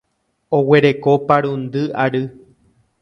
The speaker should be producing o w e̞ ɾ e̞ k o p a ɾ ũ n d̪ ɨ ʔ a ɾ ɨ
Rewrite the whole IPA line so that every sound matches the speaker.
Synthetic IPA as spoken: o w e̞ ɾ e̞ k o p a ɾ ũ n d̪ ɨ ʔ a ɾ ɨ